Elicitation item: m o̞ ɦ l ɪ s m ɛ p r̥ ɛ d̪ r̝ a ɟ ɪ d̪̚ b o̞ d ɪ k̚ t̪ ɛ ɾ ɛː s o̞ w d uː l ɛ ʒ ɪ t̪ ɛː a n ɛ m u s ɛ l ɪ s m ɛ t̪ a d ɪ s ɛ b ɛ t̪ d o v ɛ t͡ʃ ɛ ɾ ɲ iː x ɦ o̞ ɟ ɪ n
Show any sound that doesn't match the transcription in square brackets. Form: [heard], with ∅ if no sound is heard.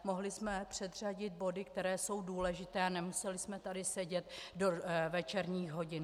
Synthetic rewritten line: m o̞ ɦ l ɪ s m ɛ p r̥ ɛ d̪ r̝ a ɟ ɪ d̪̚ b o̞ d ɪ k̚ t̪ ɛ ɾ ɛː s o̞ w d uː l ɛ ʒ ɪ t̪ ɛː a n ɛ m u s ɛ l ɪ s m ɛ t̪ a d ɪ s ɛ [ɟ] ɛ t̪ d o v ɛ t͡ʃ ɛ ɾ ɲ iː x ɦ o̞ ɟ ɪ n